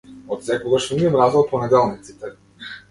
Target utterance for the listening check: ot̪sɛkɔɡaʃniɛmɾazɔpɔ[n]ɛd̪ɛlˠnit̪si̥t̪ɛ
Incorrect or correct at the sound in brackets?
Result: correct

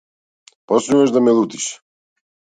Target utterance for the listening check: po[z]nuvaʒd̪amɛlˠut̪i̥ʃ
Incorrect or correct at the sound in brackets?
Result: incorrect: s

